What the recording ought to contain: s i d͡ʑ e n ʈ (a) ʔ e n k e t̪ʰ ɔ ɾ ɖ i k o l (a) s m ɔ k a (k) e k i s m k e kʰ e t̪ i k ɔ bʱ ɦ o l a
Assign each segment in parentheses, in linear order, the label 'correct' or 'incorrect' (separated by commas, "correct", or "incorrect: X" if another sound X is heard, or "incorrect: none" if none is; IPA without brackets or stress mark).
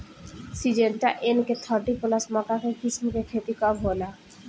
correct, correct, correct